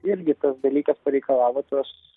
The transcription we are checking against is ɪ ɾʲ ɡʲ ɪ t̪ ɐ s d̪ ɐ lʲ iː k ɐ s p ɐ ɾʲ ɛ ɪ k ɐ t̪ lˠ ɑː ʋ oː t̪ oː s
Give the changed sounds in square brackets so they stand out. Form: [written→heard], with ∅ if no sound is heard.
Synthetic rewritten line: ɪ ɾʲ ɡʲ ɪ t̪ ɐ s d̪ ɐ lʲ iː k ɐ s p ɐ ɾʲ ɛ ɪ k ɐ [t̪→∅] lˠ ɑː ʋ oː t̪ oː s